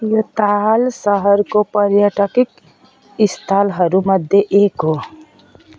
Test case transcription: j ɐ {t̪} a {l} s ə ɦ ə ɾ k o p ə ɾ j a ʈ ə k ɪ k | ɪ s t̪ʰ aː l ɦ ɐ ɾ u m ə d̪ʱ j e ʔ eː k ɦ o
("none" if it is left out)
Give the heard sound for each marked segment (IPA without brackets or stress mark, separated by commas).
t̪, l